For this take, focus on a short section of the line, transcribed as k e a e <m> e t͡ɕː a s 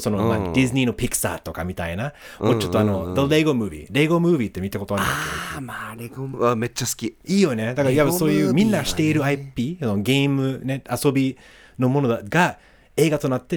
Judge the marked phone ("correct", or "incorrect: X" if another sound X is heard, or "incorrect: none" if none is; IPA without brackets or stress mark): correct